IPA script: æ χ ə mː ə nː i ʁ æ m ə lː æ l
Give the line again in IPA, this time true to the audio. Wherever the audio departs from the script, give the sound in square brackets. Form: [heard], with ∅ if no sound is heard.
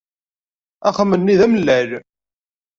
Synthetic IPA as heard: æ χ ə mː ə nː i [ð] æ m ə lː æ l